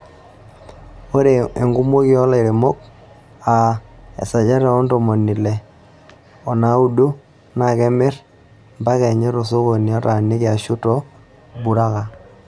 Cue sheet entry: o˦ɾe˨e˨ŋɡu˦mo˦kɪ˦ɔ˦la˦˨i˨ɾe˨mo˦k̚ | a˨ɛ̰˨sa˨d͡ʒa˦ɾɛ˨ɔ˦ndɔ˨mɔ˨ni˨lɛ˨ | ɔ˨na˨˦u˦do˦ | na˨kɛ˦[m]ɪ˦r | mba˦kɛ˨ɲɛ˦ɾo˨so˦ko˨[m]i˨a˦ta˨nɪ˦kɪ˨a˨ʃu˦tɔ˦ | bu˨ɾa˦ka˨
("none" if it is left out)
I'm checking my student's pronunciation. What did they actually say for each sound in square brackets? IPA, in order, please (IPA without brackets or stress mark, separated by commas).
m, n